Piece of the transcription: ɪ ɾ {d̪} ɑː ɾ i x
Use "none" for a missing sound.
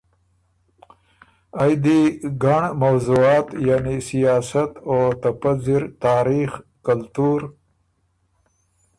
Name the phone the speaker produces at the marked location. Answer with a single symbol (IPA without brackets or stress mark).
t̪